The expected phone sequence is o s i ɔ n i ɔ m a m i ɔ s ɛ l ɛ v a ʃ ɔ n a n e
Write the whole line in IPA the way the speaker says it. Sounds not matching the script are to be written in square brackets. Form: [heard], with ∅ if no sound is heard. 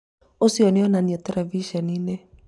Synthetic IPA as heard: o s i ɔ n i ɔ [n] a [n] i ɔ [t] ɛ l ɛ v [i] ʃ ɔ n [i] n e